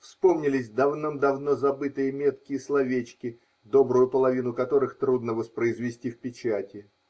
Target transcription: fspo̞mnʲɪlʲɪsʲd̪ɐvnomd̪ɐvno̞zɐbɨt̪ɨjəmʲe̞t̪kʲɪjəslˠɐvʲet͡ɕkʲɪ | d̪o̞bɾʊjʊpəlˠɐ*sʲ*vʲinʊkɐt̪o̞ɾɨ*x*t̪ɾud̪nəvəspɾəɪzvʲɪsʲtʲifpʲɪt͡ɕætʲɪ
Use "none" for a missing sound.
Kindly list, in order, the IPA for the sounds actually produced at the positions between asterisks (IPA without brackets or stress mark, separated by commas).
none, x